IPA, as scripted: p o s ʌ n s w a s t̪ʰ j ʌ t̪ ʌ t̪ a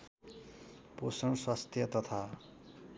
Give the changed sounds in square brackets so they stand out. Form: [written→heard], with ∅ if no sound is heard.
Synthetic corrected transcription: p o s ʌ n s w a s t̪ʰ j ʌ t̪ ʌ [t̪→t̪ʰ] a